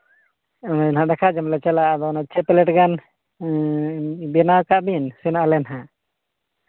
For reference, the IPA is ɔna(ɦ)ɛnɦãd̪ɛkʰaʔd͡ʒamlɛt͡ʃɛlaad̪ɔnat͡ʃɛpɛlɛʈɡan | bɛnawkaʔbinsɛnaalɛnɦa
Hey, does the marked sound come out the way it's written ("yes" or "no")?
no